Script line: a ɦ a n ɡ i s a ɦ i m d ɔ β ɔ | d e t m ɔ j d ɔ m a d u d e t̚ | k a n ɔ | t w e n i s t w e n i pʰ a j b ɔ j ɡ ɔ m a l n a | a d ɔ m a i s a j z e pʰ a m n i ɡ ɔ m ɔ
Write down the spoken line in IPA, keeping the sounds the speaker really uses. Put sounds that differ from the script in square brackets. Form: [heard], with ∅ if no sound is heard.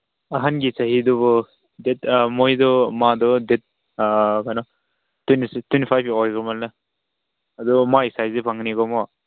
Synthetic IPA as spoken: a ɦ a n ɡ i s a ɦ i [∅] d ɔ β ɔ | d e t m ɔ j d ɔ m a d [ɔ] d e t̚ | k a n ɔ | t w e n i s t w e n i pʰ a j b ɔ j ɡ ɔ m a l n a | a d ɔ m a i s a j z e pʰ a [ŋ] n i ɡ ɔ m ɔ